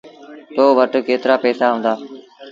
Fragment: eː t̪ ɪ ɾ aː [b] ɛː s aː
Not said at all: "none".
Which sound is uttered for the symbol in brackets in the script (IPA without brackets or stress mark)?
p